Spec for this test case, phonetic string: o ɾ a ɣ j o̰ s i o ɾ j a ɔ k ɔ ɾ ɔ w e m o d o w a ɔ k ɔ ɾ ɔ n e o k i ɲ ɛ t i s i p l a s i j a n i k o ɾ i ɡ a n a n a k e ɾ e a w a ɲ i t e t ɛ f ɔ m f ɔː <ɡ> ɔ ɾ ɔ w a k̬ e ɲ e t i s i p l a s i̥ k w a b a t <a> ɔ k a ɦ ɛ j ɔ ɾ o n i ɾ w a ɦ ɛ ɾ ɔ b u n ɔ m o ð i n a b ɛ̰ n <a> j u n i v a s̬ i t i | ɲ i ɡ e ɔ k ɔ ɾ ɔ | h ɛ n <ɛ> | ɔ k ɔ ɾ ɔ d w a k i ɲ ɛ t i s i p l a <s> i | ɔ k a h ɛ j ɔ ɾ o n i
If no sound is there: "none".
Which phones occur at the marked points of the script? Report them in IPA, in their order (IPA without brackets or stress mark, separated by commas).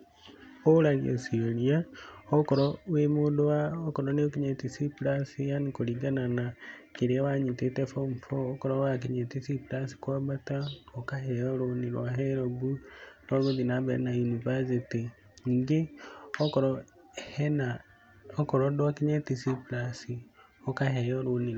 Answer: k, a, a, a, s